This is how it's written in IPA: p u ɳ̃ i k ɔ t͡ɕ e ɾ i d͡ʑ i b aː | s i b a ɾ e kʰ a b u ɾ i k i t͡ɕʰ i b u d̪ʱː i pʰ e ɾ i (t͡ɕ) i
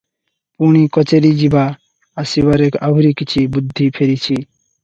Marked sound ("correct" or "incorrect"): incorrect